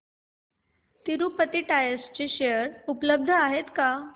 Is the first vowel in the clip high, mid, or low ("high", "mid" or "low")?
high